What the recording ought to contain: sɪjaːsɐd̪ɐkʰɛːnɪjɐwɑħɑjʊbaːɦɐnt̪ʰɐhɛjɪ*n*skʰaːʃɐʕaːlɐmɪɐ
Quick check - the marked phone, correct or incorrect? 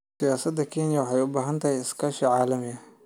incorrect